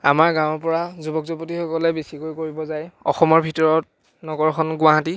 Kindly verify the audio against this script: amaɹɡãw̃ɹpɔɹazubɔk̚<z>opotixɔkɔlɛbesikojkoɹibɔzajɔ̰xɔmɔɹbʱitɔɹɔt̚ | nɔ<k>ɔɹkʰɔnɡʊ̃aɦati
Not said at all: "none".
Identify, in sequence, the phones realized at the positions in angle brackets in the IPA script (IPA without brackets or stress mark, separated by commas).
z, ɡ